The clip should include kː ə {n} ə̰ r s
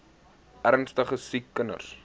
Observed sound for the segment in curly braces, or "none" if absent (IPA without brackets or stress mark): n